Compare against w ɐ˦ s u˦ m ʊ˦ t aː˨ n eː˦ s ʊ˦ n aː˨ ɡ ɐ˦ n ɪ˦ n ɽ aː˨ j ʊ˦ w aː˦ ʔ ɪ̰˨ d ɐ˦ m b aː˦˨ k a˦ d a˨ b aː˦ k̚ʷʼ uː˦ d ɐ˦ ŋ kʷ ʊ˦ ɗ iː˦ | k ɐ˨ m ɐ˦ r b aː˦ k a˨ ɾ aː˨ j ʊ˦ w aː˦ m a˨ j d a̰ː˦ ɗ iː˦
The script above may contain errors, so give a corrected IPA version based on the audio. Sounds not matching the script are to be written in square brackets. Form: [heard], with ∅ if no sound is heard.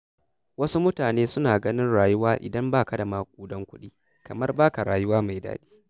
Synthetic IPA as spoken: w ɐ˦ s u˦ m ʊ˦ t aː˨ n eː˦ s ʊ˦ n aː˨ ɡ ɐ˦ n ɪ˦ n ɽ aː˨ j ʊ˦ w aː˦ ʔ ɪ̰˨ d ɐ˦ m b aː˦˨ k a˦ d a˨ [m] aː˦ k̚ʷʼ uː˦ d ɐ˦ ŋ kʷ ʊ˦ ɗ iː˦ | k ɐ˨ m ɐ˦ r b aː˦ k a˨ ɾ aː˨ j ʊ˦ w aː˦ m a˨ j d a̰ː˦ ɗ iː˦